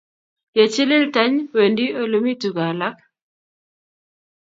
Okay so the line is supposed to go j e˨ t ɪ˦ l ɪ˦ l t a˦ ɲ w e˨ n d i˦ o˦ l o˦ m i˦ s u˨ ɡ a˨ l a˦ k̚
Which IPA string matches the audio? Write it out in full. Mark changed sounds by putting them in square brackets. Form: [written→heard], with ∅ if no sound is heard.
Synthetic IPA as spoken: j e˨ [t→t͡ʃ] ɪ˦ l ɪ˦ l t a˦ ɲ w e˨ n d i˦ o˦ l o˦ m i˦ [s→t] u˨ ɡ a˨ l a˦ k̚

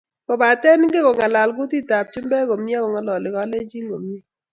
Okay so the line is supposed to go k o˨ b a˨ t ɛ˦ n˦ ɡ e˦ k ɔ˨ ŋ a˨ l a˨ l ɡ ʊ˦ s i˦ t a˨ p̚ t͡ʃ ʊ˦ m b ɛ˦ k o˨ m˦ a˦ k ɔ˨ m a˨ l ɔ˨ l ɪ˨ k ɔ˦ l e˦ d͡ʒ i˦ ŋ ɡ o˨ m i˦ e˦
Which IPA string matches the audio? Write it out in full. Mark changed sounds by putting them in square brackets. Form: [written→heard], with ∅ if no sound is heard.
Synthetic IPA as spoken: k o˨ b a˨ t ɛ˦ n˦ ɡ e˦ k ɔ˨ ŋ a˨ l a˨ l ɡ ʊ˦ [s→t] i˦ t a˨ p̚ t͡ʃ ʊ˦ m b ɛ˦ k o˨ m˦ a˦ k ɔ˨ [m→ŋ] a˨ l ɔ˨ l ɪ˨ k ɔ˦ l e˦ d͡ʒ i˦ ŋ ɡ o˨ m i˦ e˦

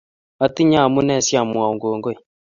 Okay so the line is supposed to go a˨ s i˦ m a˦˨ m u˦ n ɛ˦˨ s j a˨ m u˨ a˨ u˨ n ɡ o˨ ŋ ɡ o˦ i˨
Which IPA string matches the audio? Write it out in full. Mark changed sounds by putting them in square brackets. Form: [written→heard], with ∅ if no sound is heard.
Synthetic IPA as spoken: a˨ [s→t] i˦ [m→ɲ] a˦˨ m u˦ n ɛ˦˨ s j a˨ m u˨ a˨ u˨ [n→ŋ] ɡ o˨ ŋ ɡ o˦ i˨

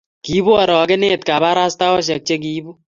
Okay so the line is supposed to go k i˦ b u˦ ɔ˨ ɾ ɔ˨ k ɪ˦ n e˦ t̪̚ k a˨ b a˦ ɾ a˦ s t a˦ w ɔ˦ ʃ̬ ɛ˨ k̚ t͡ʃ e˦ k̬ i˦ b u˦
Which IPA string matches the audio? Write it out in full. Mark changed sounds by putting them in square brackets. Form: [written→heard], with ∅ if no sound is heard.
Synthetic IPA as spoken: k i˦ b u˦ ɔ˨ ɾ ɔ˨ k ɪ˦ n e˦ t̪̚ k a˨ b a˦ ɾ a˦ s t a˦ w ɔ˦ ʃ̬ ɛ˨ k̚ t͡ʃ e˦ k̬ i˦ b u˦

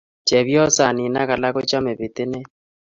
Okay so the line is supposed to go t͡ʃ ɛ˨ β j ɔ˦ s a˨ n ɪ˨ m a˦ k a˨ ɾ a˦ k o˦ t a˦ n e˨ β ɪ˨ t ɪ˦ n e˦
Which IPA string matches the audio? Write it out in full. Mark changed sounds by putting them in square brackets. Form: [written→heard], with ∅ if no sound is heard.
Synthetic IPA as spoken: t͡ʃ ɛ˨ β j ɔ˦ s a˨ n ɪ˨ [m→n] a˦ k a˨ [ɾ→l] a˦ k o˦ [t→t͡ʃ] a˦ [n→m] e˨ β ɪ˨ t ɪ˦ n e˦

